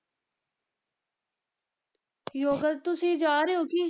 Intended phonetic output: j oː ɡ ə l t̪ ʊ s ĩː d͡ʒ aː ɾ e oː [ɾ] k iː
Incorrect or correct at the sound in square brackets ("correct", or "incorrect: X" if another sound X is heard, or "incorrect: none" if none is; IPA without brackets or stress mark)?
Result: incorrect: none